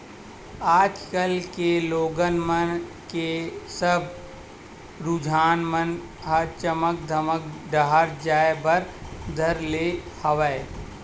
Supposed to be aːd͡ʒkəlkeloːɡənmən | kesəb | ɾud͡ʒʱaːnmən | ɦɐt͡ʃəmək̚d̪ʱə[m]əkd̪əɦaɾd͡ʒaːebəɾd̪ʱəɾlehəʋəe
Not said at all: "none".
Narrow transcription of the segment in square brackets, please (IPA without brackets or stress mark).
m